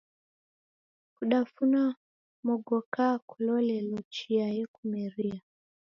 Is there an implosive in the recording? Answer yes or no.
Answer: yes